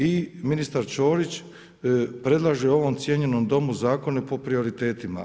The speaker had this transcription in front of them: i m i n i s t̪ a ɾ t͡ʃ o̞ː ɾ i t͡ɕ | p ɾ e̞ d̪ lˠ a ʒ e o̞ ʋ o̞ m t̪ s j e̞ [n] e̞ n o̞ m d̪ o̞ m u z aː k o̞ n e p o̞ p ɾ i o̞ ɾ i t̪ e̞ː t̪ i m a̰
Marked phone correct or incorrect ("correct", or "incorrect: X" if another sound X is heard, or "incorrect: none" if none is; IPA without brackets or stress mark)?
incorrect: ɲ